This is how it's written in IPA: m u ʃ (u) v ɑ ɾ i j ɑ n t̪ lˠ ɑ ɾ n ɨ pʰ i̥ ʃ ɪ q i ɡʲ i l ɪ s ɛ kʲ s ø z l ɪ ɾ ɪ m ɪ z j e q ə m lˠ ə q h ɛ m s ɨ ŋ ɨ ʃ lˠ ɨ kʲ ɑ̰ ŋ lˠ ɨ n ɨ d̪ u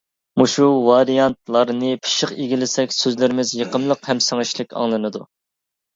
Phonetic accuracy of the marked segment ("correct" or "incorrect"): correct